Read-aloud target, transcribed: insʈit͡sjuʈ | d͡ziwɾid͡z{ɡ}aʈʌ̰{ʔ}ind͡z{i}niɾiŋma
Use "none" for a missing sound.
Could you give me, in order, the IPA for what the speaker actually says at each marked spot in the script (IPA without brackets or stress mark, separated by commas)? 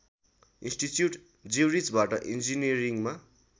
b, ʔ, i